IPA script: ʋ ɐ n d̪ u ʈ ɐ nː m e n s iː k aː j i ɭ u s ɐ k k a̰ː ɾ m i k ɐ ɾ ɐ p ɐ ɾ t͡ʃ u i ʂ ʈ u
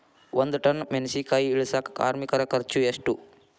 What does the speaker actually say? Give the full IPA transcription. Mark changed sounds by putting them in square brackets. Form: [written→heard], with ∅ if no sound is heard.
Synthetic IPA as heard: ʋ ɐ n d̪ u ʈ ɐ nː m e n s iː k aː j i ɭ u s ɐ k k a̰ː ɾ m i k ɐ ɾ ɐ [p→k] ɐ ɾ t͡ʃ u [i→e] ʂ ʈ u